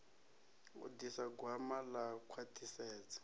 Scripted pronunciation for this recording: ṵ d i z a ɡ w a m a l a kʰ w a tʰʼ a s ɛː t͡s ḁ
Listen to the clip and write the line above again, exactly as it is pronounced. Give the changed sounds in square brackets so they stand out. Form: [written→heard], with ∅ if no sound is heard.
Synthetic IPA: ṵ d i [z→s] a ɡ w a m a l a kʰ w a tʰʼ [a→i] s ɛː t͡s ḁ